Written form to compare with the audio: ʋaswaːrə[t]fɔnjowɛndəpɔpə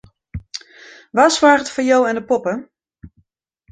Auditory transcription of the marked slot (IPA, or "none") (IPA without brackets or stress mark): t